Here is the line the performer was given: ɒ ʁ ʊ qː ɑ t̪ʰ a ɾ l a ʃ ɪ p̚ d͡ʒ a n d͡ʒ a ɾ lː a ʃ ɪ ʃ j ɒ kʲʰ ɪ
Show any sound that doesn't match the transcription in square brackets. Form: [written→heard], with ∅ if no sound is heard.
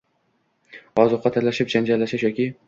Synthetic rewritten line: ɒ [ʁ→z] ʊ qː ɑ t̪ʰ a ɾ l a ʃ ɪ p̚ d͡ʒ a n d͡ʒ a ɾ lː a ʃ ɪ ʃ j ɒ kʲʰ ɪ